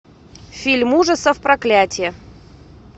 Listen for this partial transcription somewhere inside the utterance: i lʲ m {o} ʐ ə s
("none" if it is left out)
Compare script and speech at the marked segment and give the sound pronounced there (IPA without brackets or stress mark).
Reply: u